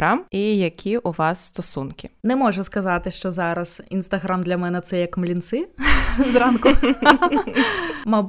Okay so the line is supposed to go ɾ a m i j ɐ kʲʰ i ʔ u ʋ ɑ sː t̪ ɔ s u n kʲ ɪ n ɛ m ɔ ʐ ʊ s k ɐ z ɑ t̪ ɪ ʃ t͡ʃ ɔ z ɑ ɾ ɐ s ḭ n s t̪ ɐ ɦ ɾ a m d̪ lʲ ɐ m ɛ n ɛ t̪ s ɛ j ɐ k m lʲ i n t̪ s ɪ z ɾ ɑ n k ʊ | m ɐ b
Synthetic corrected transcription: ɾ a m i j ɐ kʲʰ i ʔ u ʋ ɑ sː t̪ ɔ s u n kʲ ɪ n ɛ m ɔ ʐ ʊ s k ɐ z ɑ t̪ ɪ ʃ t͡ʃ ɔ z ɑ ɾ ɐ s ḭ n s t̪ ɐ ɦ ɾ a m d̪ lʲ ɐ m ɛ n ɛ t̪ s ɛ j ɐ k m lʲ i n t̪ s ɪ z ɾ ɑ n k ʊ | m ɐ b